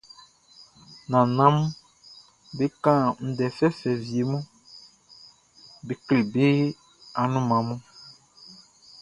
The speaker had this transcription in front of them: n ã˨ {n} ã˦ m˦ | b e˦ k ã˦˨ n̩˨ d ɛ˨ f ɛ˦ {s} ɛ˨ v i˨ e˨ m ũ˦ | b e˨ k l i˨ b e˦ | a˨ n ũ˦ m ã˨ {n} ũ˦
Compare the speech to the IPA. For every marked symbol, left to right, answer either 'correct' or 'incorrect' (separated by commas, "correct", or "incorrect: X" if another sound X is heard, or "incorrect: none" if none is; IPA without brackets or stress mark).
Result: correct, incorrect: f, incorrect: m